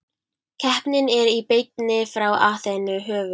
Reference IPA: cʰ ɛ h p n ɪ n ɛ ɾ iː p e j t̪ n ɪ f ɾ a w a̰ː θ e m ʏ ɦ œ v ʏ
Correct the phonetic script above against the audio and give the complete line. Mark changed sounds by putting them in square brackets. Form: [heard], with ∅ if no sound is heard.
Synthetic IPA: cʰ ɛ h p n ɪ n ɛ ɾ [i] p e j t̪ n ɪ f ɾ a w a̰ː θ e [n] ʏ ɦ [œː] v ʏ